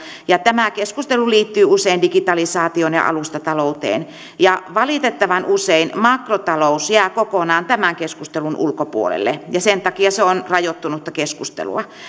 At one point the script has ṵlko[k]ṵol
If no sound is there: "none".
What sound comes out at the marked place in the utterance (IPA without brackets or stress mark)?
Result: p